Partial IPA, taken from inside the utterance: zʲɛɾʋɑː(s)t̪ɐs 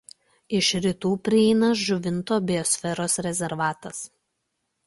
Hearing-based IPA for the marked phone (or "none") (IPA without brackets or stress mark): none